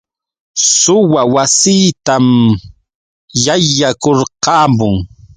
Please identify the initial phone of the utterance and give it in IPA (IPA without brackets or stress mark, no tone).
s